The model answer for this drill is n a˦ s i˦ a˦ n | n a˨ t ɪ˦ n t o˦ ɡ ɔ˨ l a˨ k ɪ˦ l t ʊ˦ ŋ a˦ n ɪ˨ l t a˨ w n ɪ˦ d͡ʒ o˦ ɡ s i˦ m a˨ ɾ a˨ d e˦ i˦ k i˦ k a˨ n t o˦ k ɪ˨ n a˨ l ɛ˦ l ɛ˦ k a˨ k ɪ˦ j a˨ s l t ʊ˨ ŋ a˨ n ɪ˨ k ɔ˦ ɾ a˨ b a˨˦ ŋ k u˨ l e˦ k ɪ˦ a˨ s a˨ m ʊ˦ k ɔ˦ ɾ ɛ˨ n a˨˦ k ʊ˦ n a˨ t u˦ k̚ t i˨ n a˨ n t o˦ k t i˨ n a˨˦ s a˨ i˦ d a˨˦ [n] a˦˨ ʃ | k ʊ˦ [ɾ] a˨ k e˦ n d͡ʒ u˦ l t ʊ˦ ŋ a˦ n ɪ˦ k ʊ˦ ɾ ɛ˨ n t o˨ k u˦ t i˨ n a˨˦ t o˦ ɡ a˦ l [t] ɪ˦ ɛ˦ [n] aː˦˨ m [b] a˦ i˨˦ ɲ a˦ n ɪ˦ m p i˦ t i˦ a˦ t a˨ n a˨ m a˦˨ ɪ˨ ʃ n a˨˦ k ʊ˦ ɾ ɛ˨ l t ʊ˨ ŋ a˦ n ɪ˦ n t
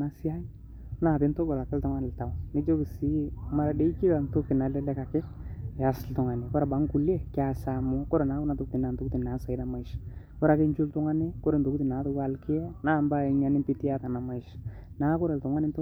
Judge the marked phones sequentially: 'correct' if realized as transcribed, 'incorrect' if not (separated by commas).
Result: incorrect, correct, incorrect, correct, correct